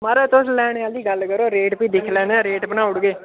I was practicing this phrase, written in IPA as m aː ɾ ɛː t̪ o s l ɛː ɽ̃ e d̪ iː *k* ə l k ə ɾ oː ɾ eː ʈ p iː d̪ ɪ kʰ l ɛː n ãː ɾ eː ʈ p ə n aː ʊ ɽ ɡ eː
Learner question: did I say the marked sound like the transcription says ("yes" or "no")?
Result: no